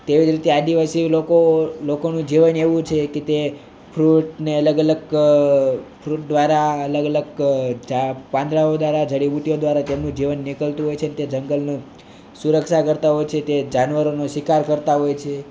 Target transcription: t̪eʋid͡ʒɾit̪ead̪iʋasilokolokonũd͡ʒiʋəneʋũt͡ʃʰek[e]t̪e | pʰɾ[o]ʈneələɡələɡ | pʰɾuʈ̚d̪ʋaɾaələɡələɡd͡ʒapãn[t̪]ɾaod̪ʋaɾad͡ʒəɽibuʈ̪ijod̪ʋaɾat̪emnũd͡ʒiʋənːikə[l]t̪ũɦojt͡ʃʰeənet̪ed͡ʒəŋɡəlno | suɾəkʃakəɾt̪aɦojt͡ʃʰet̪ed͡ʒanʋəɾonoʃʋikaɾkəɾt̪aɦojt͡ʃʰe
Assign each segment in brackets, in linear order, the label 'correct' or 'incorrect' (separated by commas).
correct, incorrect, incorrect, correct